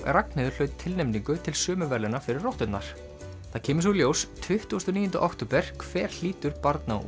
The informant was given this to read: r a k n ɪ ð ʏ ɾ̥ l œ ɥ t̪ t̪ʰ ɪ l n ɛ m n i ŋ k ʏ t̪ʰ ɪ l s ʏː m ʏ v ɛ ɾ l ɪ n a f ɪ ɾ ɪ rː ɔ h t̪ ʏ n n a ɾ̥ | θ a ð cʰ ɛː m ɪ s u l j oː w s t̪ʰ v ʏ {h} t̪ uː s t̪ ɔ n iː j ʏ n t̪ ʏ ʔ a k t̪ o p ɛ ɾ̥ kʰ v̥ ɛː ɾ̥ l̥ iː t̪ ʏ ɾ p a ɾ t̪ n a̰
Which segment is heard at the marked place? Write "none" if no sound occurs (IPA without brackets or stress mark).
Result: h